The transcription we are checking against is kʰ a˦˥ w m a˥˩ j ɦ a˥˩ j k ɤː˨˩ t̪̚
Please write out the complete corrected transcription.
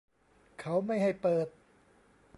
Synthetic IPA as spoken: kʰ a˦˥ w m a˥˩ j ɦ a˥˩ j p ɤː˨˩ t̪̚